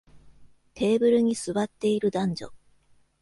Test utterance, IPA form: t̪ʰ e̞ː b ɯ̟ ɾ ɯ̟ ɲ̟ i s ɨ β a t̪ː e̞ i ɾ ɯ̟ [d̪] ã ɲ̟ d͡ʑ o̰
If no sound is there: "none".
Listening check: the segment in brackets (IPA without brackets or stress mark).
d̪